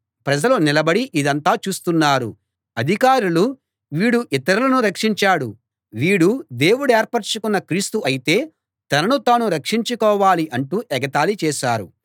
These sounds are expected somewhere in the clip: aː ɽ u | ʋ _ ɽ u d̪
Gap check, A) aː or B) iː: B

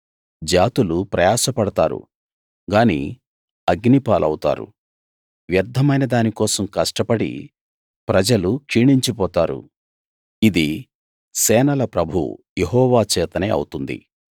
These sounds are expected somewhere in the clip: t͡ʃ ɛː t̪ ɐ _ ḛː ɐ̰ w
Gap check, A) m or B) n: B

